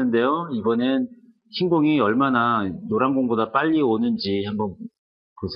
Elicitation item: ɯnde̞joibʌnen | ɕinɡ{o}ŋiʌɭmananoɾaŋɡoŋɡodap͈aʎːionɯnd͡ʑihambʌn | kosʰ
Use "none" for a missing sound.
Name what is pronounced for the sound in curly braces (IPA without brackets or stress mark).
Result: o